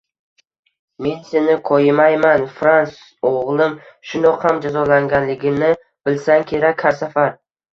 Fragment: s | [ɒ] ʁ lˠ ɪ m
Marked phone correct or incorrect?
incorrect